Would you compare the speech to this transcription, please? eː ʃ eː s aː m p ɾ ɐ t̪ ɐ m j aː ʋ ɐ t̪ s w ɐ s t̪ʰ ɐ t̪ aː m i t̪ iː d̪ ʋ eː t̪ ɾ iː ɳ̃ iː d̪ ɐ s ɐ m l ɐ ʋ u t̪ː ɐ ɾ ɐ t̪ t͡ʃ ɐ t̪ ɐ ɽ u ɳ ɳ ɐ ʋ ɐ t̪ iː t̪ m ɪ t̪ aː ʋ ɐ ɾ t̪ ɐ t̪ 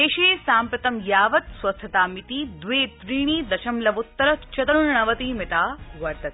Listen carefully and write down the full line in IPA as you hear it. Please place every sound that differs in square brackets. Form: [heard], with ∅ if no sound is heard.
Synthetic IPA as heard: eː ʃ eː s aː m p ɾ ɐ t̪ ɐ m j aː ʋ ɐ t̪ s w ɐ s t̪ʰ ɐ t̪ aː m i t̪ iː d̪ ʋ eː t̪ ɾ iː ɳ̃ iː d̪ ɐ [ʃ] ɐ m l ɐ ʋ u t̪ː ɐ ɾ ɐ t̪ t͡ʃ ɐ t̪ ɐ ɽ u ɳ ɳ ɐ ʋ ɐ t̪ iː [∅] m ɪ t̪ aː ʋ ɐ ɾ t̪ ɐ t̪